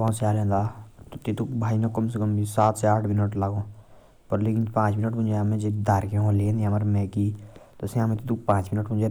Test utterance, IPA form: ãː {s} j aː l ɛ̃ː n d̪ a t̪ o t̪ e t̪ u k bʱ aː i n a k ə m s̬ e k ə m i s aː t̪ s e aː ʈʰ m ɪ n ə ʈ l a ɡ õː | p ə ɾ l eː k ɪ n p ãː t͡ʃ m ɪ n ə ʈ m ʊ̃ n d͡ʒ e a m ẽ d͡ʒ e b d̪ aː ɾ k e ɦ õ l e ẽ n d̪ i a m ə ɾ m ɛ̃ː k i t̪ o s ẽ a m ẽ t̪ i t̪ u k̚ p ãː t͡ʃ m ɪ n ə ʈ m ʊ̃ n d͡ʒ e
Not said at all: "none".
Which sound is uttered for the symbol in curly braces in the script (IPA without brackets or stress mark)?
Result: s